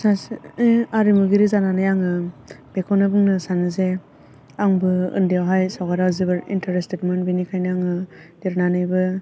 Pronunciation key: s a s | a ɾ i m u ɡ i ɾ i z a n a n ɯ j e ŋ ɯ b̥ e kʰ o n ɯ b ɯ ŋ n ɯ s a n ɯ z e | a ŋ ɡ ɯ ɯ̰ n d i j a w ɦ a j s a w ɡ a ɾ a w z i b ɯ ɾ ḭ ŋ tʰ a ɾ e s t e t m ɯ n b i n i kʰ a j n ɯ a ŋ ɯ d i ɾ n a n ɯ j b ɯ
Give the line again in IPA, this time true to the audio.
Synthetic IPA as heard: s a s | a ɾ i m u ɡ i ɾ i z a n a n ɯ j a ŋ ɯ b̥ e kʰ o n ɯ b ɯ ŋ n ɯ s a n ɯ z e | a ŋ b ɯ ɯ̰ n d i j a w ɦ a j s a w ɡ a ɾ a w z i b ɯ ɾ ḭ n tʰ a ɾ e s t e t m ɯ n b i n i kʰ a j n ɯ a ŋ ɯ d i ɾ n a n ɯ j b ɯ